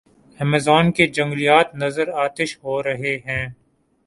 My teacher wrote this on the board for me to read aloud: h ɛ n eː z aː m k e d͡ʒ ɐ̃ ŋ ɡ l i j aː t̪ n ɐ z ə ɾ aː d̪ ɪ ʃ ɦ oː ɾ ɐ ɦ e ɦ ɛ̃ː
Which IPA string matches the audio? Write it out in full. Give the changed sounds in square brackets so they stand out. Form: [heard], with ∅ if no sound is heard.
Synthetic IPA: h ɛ [m] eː z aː [n] k e d͡ʒ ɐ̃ ŋ ɡ l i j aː t̪ n ɐ z ə ɾ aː [t̪] ɪ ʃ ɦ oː ɾ ɐ ɦ e ɦ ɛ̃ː

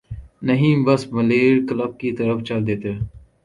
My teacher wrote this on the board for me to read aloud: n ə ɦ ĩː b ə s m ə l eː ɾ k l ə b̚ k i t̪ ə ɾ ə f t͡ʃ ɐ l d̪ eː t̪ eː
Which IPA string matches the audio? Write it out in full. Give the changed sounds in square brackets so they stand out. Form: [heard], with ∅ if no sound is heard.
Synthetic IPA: n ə ɦ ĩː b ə s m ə l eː ɾ k l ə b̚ k i t̪ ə ɾ ə f t͡ʃ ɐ l d̪ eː t̪ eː

